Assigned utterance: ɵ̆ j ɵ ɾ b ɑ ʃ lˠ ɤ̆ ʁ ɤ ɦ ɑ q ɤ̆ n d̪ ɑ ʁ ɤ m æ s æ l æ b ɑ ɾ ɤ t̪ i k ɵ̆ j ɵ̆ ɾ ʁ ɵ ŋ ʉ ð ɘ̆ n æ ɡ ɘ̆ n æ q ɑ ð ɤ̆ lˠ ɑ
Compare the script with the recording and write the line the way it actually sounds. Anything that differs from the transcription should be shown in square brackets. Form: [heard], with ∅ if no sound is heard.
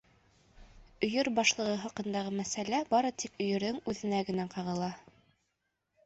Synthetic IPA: ɵ̆ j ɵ ɾ b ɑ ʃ lˠ ɤ̆ ʁ ɤ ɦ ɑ q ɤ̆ n d̪ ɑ ʁ ɤ m æ s æ l æ b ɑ ɾ ɤ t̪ i k ɵ̆ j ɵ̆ ɾ [ð] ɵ ŋ ʉ ð ɘ̆ n æ ɡ ɘ̆ n æ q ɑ [ʁ] ɤ̆ lˠ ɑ